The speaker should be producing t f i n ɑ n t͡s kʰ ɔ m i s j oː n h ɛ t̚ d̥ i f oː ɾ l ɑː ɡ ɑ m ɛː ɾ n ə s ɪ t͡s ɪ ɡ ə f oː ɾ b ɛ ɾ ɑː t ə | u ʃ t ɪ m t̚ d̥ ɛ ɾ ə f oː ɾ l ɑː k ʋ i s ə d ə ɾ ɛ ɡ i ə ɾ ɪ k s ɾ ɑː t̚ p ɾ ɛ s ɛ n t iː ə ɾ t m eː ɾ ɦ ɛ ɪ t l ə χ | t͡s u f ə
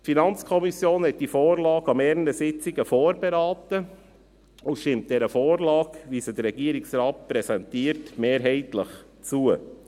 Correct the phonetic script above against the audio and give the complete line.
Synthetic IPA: t f i n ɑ n t͡s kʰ ɔ m i s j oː n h ɛ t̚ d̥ i f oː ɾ l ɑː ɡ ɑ m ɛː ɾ n ə s ɪ t͡s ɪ ɡ ə f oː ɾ b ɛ ɾ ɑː t ə | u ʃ t ɪ m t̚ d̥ ɛ ɾ ə f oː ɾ l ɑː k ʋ i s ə d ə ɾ ɛ ɡ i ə ɾ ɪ k s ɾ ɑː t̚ p ɾ ɛ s ɛ n t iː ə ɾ t m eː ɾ ɦ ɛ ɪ t l ə χ | t͡s u ə